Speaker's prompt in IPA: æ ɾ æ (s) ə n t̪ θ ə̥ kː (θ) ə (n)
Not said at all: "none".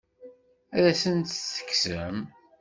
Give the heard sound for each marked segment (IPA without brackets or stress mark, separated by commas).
s, s, m